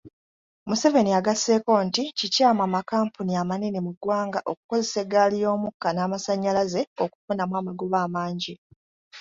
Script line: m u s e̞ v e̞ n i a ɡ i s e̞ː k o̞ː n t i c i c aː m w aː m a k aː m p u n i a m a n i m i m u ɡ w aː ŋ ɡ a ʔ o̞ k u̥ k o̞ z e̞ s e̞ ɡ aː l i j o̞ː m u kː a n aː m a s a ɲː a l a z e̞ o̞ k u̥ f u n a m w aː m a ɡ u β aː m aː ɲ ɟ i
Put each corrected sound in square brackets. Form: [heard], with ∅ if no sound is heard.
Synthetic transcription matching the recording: m u s e̞ v e̞ n i a ɡ [a] s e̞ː k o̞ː n t i c i c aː m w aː m a k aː m p u n i a m a n i [n] i m u ɡ w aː ŋ ɡ a ʔ o̞ k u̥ k o̞ z e̞ s e̞ ɡ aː l i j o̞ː m u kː a n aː m a s a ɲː a l a z e̞ o̞ k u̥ f u n a m w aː m a ɡ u β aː m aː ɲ ɟ i